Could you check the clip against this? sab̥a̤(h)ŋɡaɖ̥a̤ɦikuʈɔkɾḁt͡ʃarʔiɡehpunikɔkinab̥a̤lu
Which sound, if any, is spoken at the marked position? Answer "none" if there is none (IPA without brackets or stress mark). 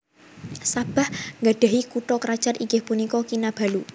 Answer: h